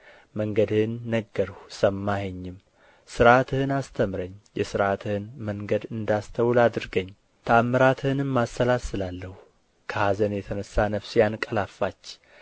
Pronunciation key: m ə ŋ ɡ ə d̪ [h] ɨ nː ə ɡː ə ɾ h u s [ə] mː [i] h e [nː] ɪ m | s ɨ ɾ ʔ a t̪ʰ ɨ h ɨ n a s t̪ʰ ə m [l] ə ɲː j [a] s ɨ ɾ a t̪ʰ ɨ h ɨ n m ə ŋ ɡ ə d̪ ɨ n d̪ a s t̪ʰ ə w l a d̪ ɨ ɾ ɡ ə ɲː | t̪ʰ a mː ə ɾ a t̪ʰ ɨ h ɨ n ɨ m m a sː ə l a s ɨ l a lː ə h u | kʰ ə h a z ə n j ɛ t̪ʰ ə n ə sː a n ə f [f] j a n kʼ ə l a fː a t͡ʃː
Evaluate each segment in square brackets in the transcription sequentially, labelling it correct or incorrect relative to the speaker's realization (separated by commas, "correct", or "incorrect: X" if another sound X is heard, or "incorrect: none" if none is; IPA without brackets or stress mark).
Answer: correct, correct, incorrect: a, incorrect: ɲː, incorrect: ɾ, incorrect: ɛ, incorrect: s